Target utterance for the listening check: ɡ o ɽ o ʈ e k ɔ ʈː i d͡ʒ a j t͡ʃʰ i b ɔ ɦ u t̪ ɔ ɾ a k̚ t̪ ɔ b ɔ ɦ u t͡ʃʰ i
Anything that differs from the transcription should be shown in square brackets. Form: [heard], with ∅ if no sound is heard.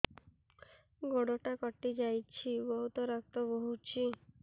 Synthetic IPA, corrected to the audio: ɡ o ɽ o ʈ [a] k ɔ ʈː i d͡ʒ a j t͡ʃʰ i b ɔ ɦ u t̪ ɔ ɾ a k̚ t̪ ɔ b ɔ ɦ u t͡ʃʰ i